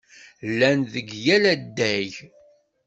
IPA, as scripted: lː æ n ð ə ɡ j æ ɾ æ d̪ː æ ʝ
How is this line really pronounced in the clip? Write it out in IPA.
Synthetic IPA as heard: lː æ n ð ə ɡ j æ l æ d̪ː æ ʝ